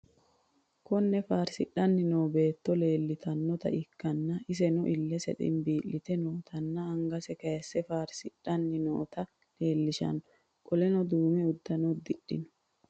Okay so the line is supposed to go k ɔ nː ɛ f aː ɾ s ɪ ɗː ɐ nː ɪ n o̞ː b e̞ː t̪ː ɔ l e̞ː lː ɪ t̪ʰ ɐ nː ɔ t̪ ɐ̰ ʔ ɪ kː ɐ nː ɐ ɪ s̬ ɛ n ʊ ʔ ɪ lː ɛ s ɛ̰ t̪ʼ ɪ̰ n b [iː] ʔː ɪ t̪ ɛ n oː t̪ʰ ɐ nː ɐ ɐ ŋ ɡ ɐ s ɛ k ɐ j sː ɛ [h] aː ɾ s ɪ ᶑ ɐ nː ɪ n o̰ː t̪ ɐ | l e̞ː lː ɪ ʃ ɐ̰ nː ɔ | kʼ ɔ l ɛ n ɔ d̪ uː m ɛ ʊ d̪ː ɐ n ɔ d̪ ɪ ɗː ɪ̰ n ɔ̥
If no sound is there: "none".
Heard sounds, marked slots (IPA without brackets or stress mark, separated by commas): iː, f